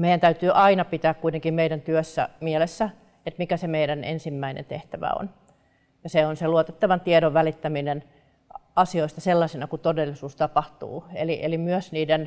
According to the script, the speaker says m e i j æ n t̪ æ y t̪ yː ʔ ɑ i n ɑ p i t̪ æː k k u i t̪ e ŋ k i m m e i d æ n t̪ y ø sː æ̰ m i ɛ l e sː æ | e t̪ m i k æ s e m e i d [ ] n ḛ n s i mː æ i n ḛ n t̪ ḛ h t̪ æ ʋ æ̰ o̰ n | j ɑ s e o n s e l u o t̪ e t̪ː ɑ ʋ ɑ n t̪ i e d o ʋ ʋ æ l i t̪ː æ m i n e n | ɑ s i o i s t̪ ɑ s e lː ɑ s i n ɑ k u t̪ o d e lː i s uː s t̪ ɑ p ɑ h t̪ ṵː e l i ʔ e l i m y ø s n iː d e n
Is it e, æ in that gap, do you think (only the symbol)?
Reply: æ